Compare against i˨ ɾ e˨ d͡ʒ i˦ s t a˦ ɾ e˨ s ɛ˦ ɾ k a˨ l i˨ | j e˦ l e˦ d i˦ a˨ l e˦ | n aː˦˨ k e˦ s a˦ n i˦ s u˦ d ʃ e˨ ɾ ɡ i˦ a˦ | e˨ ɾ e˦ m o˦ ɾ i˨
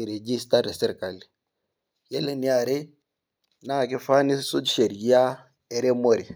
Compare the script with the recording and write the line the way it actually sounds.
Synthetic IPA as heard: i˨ ɾ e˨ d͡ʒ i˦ s t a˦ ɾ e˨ s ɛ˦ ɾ k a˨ l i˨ | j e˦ l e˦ n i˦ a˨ ɾ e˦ | n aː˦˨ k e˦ f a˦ n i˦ s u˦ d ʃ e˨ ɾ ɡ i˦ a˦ | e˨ ɾ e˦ m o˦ ɾ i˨